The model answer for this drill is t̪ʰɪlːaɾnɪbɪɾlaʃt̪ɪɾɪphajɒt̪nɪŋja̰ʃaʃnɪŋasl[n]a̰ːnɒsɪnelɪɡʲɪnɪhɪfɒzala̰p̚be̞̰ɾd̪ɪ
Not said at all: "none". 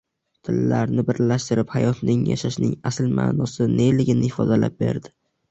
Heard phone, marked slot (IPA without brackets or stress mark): m